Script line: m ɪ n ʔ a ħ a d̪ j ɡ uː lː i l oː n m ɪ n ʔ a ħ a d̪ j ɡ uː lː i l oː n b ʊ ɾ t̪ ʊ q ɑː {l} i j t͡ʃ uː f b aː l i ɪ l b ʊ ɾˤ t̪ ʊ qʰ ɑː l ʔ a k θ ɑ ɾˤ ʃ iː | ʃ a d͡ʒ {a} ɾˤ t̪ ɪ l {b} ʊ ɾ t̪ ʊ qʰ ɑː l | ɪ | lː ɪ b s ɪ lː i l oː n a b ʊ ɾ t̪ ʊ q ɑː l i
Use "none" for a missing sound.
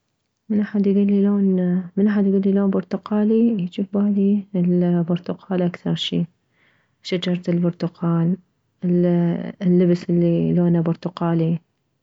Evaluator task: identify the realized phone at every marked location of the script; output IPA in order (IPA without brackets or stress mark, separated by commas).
l, ɑ, b